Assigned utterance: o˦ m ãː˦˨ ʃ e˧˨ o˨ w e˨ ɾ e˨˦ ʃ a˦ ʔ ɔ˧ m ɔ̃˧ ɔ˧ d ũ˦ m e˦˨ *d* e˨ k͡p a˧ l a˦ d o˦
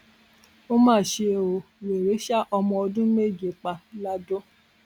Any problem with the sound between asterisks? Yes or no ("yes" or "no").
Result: yes